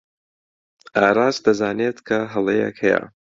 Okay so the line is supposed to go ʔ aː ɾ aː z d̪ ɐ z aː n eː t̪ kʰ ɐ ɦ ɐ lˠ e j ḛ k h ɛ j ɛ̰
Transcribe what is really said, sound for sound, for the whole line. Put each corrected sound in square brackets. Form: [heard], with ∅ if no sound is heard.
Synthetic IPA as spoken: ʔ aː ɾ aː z d̪ ɐ z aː n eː t̪ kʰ ɐ ɦ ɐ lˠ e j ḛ k h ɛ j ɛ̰

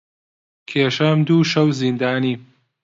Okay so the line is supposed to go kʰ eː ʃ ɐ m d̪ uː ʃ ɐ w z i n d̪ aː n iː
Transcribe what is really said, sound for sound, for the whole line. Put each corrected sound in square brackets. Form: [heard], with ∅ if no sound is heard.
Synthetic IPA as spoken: kʰ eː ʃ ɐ m d̪ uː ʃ ɐ w z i n d̪ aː n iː

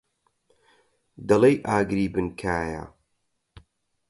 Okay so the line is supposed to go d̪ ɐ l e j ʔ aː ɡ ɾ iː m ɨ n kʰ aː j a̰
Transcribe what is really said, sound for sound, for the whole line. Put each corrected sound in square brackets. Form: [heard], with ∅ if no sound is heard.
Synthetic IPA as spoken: d̪ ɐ l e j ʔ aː ɡ ɾ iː [b] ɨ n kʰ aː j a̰

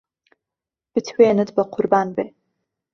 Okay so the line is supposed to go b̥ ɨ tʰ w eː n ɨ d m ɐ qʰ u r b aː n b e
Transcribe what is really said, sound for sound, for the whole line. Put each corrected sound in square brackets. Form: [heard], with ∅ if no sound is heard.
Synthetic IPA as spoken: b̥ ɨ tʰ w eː n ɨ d [b] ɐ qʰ [ʊ] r b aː n b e

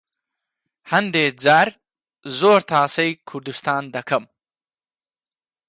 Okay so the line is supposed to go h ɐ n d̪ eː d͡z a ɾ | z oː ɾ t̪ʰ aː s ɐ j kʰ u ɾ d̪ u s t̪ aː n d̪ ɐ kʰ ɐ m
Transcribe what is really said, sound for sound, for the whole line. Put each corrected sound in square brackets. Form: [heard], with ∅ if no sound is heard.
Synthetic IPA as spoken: h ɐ n d̪ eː d͡z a ɾ | z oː ɾ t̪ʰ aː s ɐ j kʰ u ɾ d̪ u s t̪ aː n d̪ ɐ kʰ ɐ m

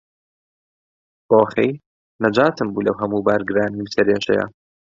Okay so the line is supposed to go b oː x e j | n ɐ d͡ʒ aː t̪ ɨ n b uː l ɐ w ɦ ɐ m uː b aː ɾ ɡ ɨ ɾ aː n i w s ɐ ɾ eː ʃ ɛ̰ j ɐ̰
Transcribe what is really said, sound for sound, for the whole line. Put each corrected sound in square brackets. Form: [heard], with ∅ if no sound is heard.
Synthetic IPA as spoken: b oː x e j | n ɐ d͡ʒ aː t̪ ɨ [m] b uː l ɐ w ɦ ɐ m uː b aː ɾ ɡ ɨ ɾ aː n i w s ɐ ɾ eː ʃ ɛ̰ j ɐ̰

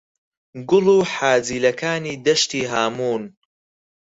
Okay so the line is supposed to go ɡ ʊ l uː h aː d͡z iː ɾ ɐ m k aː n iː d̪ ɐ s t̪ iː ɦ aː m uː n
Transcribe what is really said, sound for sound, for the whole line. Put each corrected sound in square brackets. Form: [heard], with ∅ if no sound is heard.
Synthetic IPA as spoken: ɡ ʊ l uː [ħ] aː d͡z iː [l] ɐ [∅] k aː n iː d̪ ɐ [ʃ] t̪ iː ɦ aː m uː n

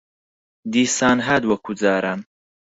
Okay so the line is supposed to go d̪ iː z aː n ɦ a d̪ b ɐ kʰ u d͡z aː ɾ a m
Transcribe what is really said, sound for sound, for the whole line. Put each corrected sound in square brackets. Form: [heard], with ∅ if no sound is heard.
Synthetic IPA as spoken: d̪ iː [s] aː n ɦ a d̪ [w] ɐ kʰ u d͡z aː ɾ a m

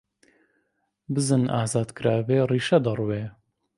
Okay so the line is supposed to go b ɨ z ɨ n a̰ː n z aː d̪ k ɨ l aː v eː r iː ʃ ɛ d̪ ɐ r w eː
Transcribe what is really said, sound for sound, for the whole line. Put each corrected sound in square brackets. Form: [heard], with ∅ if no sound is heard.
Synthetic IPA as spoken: b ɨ z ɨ n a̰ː [∅] z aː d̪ k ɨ [ɾ] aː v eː r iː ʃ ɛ d̪ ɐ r w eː

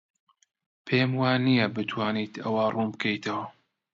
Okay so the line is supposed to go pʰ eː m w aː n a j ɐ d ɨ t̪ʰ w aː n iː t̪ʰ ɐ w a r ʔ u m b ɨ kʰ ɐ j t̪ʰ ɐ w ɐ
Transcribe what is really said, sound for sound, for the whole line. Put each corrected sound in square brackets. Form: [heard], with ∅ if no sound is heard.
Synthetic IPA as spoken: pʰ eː m w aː n [i] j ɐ [b] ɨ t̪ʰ w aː n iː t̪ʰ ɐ w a r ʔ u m b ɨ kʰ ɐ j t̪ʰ ɐ w ɐ

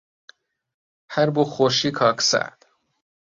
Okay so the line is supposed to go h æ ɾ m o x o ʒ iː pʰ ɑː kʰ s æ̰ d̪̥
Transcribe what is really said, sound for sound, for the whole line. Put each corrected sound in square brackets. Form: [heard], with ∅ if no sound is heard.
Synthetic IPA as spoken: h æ ɾ [b] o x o [ʃ] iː [kʰ] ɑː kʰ s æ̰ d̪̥

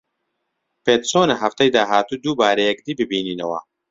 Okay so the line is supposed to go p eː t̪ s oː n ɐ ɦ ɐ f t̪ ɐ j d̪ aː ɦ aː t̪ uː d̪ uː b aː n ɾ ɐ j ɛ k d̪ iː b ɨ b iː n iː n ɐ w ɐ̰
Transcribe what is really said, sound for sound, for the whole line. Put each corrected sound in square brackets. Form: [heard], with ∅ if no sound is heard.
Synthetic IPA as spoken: p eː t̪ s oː n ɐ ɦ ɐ f t̪ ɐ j d̪ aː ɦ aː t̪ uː d̪ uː b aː [∅] ɾ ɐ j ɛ k d̪ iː b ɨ b iː n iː n ɐ w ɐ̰

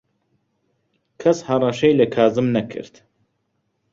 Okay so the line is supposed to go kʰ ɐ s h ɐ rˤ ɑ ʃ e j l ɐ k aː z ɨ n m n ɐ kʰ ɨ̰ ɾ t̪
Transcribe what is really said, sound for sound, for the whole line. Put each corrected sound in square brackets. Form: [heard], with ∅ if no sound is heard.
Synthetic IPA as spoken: kʰ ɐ s h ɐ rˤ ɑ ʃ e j l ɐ [kʰ] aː z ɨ [∅] m n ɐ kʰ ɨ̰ ɾ t̪

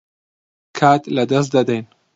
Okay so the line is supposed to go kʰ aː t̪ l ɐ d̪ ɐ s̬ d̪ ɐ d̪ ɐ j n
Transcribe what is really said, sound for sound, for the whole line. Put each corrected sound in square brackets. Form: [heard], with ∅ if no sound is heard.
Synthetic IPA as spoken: kʰ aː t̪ l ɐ d̪ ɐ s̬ d̪ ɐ d̪ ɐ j n

